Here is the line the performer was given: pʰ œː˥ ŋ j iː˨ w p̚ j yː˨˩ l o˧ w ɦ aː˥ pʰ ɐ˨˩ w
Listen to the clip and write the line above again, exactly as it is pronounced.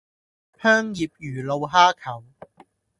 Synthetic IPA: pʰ œː˥ ŋ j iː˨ p̚ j yː˨˩ l o˧ w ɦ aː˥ kʰ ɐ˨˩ w

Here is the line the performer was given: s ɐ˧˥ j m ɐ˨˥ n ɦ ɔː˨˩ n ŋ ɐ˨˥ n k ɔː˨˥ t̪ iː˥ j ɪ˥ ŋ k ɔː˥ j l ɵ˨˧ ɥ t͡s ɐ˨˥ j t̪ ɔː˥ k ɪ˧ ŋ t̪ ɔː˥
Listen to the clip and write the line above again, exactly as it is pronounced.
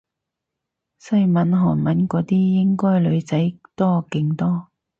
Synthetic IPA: s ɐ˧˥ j m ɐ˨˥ n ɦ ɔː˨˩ n m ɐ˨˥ n k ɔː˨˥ t̪ iː˥ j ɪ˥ ŋ k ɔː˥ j l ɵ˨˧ ɥ t͡s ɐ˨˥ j t̪ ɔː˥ k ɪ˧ ŋ t̪ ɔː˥

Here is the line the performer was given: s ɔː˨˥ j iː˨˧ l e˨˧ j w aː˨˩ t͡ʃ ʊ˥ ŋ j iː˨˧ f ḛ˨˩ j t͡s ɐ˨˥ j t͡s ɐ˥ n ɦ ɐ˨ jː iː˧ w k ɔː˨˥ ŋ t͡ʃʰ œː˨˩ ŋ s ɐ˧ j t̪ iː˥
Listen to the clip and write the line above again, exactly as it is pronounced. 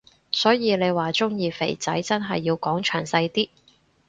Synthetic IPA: s ɔː˨˥ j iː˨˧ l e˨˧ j w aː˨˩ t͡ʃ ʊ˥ ŋ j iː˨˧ f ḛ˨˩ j t͡s ɐ˨˥ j t͡s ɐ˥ n ɦ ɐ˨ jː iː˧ w k ɔː˨˥ ŋ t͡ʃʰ œː˨˩ ŋ s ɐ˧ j t̪ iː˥

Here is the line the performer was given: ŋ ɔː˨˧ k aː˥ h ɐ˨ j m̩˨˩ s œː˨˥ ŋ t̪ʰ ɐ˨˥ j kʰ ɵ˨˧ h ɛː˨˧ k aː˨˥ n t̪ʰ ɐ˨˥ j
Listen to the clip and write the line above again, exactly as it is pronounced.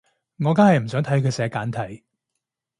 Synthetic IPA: ŋ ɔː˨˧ k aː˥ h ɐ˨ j m̩˨˩ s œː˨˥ ŋ t̪ʰ ɐ˨˥ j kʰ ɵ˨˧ s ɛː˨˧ k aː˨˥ n t̪ʰ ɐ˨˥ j

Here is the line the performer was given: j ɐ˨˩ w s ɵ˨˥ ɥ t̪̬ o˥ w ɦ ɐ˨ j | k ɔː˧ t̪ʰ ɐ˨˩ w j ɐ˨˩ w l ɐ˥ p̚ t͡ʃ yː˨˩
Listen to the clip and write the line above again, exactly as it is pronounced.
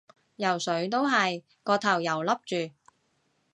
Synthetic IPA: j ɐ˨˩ w s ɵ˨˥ ɥ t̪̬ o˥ w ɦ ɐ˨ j | k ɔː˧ t̪ʰ ɐ˨˩ w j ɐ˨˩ w l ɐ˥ p̚ t͡ʃ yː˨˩

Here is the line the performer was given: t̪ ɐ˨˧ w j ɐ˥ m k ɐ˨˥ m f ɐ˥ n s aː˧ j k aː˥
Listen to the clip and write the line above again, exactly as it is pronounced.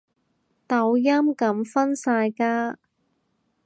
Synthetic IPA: t̪ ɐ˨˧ w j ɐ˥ m k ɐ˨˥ m f ɐ˥ n s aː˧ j k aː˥

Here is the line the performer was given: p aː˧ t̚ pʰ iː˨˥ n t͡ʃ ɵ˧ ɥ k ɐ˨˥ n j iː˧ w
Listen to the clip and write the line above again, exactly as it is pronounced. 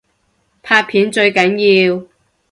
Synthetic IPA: pʰ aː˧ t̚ pʰ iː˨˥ n t͡ʃ ɵ˧ ɥ k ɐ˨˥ n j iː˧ w

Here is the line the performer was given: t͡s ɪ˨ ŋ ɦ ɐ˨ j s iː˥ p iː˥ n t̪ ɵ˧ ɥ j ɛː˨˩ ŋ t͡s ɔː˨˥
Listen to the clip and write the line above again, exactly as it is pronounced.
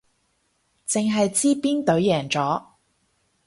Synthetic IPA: t͡s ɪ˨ ŋ ɦ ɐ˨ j t͡s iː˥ p iː˥ n t̪ ɵ˨˧˥ ɥ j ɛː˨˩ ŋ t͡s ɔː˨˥

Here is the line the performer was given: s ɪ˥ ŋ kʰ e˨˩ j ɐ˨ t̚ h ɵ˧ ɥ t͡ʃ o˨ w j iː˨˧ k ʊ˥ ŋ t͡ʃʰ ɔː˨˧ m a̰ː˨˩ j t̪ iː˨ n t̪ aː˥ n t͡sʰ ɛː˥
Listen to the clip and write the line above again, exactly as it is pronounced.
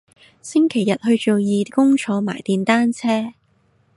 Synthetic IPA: s ɪ˥ ŋ kʰ e˨˩ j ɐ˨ t̚ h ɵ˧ ɥ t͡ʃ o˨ w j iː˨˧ k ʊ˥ ŋ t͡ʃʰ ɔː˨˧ m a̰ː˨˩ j t̪ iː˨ n t̪ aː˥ n t͡sʰ ɛː˥

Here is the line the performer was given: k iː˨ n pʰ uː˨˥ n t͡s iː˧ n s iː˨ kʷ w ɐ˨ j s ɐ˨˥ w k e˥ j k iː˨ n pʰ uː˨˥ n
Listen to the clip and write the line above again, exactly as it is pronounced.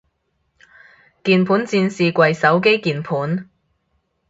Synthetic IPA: k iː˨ n pʰ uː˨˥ n t͡s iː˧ n s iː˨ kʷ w ɐ˨ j s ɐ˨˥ w k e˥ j k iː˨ n pʰ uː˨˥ n

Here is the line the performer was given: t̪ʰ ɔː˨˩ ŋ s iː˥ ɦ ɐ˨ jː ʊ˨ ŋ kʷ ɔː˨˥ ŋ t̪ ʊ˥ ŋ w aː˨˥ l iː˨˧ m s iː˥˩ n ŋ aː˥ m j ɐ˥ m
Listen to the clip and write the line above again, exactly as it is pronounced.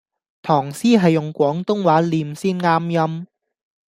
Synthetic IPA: t̪ʰ ɔː˨˩ ŋ s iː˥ ɦ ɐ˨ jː ʊ˨ ŋ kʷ ɔː˨˥ ŋ t̪ ʊ˥ ŋ w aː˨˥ l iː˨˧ m s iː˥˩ n ŋ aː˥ m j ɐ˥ m

